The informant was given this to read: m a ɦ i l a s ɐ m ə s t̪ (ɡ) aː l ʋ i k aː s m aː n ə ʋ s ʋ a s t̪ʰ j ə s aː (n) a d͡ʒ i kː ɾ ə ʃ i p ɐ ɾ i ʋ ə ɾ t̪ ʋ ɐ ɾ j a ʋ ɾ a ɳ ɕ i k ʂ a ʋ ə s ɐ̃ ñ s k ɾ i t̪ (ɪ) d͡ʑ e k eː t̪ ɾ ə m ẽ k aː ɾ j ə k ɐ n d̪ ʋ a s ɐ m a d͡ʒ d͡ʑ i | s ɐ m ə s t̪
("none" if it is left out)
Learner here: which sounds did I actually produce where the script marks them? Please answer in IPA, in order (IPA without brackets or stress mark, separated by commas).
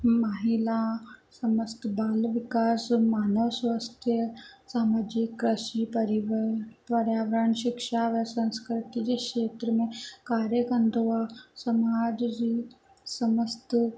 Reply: b, m, i